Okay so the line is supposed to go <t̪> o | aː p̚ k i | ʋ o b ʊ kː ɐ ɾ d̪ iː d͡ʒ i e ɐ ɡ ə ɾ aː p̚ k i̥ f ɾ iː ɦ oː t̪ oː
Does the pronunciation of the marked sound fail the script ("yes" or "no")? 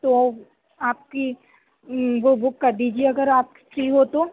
no